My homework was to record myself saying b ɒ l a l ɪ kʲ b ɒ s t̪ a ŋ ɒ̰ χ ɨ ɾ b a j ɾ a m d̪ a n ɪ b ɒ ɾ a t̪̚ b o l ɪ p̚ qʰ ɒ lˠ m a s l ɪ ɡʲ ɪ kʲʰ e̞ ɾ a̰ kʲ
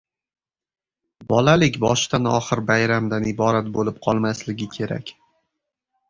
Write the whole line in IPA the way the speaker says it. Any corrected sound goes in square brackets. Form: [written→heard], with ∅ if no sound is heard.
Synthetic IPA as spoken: b ɒ l a l ɪ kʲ b ɒ [s→ʃ] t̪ a [ŋ→n] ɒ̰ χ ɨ ɾ b a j ɾ a m d̪ a n ɪ b ɒ ɾ a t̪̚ b o l ɪ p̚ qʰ ɒ lˠ m a s l ɪ ɡʲ ɪ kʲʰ e̞ ɾ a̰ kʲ